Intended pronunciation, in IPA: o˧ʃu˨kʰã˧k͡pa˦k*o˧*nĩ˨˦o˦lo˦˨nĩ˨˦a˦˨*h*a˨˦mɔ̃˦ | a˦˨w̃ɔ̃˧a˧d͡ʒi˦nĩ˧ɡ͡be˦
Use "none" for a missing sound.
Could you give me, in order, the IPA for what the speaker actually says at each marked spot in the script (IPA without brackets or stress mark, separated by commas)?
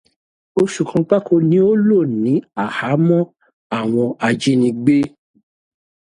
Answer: o˧, h